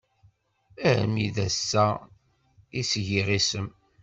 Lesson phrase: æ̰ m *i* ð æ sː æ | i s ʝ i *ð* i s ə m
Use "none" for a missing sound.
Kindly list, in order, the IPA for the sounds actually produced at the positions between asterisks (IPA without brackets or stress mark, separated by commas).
i, ʁ